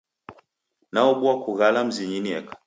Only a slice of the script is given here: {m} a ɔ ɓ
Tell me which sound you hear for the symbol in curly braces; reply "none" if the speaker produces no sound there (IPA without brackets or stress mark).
n